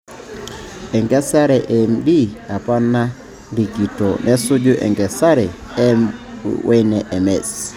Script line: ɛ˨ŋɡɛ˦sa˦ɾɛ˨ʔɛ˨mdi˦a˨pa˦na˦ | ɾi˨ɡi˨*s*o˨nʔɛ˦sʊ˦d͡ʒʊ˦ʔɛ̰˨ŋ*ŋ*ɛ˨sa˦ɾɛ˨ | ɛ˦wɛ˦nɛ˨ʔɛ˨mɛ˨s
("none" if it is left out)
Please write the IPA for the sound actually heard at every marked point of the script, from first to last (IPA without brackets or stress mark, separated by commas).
t, ɡ